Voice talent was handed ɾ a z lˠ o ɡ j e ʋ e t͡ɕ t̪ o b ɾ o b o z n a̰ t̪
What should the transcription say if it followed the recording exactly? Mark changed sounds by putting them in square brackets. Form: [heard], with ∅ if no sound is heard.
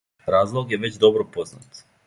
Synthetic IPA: ɾ a z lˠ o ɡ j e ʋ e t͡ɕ [d̪] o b ɾ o [p] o z n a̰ t̪